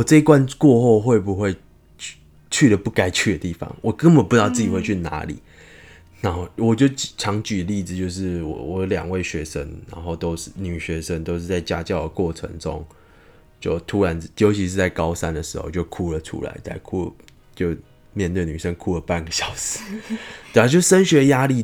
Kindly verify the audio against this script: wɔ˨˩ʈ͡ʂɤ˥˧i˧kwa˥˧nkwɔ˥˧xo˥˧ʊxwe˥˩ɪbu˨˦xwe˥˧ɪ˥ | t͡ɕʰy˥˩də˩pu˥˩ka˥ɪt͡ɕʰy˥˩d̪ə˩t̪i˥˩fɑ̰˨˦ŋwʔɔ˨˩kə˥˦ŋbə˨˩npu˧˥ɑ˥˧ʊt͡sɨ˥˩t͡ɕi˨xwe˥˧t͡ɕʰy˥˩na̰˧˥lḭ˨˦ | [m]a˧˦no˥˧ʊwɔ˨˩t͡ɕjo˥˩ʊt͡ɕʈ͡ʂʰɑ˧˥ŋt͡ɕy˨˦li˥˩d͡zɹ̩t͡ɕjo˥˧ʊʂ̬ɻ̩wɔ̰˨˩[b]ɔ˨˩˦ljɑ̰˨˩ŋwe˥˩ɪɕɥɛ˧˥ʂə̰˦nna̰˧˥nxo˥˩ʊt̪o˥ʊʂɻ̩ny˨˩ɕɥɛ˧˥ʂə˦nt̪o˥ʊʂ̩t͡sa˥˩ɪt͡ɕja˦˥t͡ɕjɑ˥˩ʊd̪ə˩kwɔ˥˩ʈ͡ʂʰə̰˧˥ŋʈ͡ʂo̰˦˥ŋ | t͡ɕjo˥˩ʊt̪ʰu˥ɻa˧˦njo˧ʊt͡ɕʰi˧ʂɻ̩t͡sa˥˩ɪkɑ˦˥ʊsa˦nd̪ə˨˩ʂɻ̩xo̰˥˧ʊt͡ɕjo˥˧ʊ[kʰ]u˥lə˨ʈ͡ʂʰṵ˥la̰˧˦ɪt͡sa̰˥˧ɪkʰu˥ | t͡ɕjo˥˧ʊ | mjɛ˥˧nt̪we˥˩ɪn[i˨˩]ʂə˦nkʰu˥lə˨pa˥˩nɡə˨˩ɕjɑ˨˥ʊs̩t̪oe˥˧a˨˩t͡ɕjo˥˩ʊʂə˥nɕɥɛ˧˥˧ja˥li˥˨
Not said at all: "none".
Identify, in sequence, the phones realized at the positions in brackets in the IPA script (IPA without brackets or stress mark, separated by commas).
n, w, kʰ, y˨˩